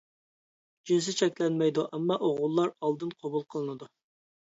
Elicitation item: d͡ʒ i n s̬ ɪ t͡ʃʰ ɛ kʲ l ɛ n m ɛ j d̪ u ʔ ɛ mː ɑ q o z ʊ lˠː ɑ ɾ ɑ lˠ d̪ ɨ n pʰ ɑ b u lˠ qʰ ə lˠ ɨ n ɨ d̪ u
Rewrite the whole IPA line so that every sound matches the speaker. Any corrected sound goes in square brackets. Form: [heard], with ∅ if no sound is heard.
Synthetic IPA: d͡ʒ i n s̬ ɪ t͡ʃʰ ɛ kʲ l ɛ n m ɛ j d̪ u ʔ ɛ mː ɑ [ʔ] o [ʁ] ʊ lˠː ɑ ɾ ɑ lˠ d̪ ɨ n [qʰ] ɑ b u lˠ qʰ ə lˠ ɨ n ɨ d̪ u